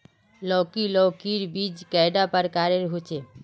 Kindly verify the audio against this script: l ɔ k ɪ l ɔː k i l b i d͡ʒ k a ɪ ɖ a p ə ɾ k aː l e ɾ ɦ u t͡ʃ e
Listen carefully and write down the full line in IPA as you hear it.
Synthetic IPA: l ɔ k i l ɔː k i ɾ b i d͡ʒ k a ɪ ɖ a p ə ɾ k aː ɾ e ɾ ɦ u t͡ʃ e